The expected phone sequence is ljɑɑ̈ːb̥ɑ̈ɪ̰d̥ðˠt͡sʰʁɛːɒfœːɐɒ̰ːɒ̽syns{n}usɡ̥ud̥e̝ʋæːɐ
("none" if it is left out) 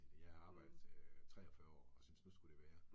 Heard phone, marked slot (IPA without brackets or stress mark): n